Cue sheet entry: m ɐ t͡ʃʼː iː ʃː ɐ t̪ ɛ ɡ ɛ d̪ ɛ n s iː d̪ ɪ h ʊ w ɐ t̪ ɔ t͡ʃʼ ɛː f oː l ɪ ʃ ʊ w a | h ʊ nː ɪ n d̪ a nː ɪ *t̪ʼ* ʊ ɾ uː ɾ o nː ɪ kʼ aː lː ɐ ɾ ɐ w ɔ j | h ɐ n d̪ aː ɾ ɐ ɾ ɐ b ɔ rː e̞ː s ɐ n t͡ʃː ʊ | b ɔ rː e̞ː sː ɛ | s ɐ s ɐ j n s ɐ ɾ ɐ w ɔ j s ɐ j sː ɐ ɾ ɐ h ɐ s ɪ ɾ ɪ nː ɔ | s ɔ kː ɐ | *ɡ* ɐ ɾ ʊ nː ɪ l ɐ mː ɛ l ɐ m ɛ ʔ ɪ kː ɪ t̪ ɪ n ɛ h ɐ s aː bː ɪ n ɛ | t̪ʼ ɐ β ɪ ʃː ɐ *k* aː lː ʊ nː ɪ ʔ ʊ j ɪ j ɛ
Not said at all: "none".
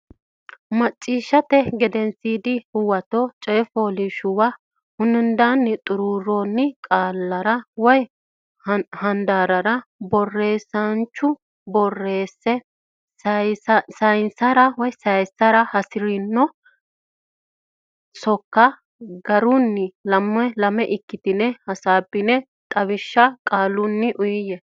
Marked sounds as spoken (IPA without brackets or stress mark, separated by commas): t̪ʼ, ɡ, kʼ